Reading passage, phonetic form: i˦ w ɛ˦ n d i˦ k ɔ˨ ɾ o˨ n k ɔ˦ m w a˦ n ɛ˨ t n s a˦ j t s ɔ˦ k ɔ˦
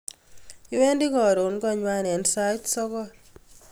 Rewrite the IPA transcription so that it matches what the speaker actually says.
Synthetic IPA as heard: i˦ w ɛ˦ n d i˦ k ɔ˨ ɾ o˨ n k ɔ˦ ɲ w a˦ n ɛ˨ n s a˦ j t s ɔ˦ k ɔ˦